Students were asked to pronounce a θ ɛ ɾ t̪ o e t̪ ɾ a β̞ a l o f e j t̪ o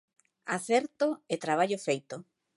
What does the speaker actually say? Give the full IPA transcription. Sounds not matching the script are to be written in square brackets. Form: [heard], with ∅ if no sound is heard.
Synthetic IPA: a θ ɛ ɾ t̪ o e t̪ ɾ a β̞ a [ʎ] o f e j t̪ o

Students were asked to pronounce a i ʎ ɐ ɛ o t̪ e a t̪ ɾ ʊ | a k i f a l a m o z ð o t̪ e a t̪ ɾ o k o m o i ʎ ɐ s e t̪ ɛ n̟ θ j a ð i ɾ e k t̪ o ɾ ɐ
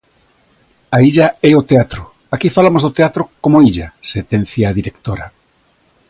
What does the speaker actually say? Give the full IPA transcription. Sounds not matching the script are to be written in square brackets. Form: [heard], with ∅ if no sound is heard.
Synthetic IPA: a i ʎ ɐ ɛ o t̪ e a t̪ ɾ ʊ | a k i f a l a m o z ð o t̪ e a t̪ ɾ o k o m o i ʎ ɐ s e t̪ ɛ n̟ θ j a ð i ɾ e k t̪ o ɾ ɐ

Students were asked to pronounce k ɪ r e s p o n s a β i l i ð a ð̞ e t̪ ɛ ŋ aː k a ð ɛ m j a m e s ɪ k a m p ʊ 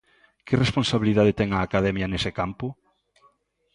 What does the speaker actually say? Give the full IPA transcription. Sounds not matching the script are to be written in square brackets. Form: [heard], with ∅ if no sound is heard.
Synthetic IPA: k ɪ r e s p o n s a β i l i ð a ð̞ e t̪ ɛ ŋ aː k a ð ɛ m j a [n] e s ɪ k a m p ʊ

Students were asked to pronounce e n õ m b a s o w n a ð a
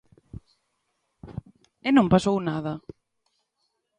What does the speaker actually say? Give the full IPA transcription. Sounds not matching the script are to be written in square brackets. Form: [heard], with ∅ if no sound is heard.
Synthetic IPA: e n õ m [p] a s o w n a ð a

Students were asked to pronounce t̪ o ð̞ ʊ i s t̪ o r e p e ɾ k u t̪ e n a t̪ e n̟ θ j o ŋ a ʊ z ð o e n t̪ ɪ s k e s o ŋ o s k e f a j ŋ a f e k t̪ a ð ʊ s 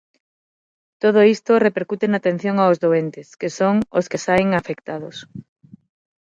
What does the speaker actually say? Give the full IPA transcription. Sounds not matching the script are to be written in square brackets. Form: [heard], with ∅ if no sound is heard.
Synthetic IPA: t̪ o ð̞ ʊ i s t̪ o r e p e ɾ k u t̪ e n a t̪ e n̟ θ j o ŋ a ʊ z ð o e n t̪ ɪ s k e s o ŋ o s k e [s] a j ŋ a f e k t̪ a ð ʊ s

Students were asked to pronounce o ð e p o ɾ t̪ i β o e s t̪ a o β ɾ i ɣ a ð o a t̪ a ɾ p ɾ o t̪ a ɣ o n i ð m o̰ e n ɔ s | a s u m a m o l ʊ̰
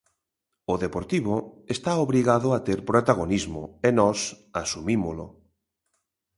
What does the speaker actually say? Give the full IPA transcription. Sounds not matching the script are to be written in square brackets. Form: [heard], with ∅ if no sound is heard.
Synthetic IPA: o ð e p o ɾ t̪ i β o e s t̪ a o β ɾ i ɣ a ð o a t̪ [e] ɾ p ɾ o t̪ a ɣ o n i [z] m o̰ e n ɔ s | a s u m [i] m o l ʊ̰

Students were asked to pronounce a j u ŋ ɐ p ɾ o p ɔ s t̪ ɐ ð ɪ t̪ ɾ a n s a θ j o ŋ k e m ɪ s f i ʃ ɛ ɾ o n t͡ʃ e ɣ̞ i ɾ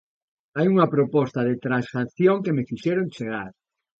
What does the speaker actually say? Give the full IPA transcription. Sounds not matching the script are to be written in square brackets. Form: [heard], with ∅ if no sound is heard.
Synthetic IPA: a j u ŋ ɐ p ɾ o p ɔ s t̪ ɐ ð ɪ t̪ ɾ a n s a θ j o ŋ k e m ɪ [∅] f i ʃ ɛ ɾ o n t͡ʃ e ɣ̞ [a] ɾ

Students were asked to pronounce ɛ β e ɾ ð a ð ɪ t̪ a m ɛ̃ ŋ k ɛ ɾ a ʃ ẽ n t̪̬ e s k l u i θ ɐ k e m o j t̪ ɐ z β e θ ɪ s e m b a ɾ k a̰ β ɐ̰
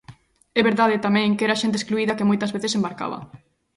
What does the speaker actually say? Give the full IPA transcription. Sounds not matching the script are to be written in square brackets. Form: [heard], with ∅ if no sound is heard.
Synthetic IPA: ɛ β e ɾ ð a ð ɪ t̪ a m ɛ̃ ŋ k ɛ ɾ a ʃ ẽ n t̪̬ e s k l u i [ð] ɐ k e m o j t̪ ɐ z β e θ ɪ s e m b a ɾ k a̰ β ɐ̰

